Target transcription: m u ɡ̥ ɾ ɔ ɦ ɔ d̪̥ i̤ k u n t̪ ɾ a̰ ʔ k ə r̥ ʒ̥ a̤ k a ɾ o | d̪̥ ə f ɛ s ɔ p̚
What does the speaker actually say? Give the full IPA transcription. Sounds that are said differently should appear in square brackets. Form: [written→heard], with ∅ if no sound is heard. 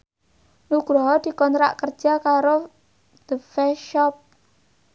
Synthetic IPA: [m→n] u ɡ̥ ɾ ɔ ɦ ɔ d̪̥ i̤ k [u→ɔ] n t̪ ɾ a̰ ʔ k ə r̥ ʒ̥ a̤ k a ɾ o | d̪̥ ə f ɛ [s→ʃ] ɔ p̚